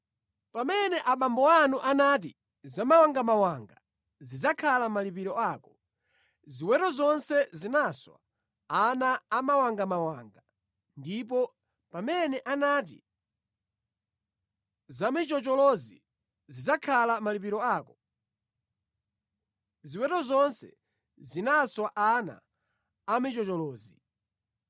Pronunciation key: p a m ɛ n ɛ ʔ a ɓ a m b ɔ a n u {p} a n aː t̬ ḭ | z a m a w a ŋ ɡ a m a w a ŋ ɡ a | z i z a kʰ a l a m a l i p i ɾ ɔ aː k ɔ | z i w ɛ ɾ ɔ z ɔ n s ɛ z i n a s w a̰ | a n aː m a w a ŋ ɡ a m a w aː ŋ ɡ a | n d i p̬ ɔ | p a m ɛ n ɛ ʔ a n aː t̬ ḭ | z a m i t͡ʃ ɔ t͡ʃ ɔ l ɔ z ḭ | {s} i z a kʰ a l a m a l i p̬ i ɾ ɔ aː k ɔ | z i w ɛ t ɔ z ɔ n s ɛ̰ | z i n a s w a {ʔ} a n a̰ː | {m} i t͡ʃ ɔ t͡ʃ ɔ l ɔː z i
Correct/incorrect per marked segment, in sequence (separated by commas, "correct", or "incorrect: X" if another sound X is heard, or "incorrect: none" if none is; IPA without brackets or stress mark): incorrect: ʔ, incorrect: z, correct, correct